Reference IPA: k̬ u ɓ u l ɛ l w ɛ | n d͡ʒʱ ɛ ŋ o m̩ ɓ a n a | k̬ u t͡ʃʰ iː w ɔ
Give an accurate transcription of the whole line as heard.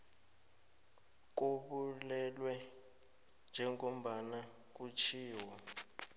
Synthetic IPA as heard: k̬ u ɓ u l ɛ l w ɛ | n d͡ʒʱ ɛ ŋ o m̩ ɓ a n a | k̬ u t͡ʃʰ iː w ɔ